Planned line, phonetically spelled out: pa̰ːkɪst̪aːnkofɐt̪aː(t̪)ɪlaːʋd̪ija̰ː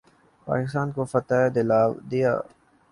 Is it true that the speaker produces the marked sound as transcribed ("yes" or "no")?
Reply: no